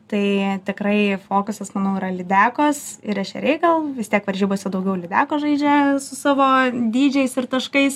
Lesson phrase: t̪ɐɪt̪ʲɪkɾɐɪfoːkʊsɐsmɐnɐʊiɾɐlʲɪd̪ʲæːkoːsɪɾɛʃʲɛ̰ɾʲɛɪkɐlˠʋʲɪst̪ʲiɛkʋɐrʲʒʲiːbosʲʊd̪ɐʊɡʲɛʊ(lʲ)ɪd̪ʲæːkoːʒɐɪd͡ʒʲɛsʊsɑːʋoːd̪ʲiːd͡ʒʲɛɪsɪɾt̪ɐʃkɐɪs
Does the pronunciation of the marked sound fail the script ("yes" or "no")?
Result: no